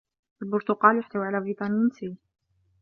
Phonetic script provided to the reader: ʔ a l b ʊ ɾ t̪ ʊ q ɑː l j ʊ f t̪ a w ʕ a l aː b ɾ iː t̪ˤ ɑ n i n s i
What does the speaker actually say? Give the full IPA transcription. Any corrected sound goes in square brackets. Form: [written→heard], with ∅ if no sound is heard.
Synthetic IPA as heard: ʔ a l b ʊ ɾ t̪ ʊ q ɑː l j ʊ [f→ħ] t̪ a w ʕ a l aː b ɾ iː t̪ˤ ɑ n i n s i